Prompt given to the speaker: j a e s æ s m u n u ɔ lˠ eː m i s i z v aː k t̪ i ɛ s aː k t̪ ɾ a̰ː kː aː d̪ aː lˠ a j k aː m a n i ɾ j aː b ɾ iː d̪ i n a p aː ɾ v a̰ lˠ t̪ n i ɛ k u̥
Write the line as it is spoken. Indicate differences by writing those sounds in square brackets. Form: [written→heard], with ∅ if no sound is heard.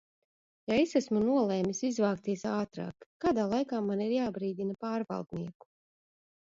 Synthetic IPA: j a e s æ s m u n u ɔ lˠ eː m i s i z v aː k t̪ i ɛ s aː [k→∅] t̪ ɾ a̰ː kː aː d̪ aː lˠ a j k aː m a n i ɾ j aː b ɾ iː d̪ i n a p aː ɾ v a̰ lˠ [t̪→d̪] n i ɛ k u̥